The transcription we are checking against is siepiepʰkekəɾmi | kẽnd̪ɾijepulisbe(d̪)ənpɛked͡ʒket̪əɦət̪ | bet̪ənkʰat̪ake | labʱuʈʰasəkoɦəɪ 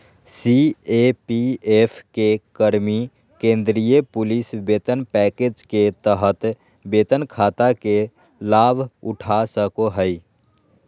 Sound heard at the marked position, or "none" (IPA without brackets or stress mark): t̪